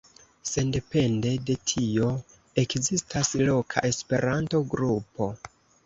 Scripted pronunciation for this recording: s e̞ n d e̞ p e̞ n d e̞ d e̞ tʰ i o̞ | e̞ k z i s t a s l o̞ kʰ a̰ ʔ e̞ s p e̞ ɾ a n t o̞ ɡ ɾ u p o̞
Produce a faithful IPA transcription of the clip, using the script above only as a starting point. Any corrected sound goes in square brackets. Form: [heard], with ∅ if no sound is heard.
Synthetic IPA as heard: s e̞ n d e̞ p e̞ n d e̞ d e̞ tʰ i o̞ | e̞ k z i s t a s l o̞ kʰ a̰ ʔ e̞ s p e̞ ɾ a n t o̞ ɡ ɾ u p o̞